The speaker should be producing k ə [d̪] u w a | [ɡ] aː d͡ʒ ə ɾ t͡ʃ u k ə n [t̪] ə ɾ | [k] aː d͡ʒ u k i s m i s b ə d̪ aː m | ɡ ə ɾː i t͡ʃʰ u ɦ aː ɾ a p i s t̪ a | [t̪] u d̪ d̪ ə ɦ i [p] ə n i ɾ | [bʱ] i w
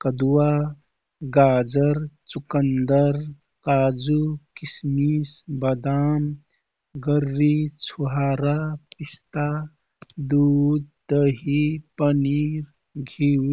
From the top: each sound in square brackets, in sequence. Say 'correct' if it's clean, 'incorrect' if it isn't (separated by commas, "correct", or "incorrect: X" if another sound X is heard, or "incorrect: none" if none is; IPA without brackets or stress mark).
correct, correct, incorrect: d̪, correct, incorrect: d̪, correct, incorrect: ɡʱ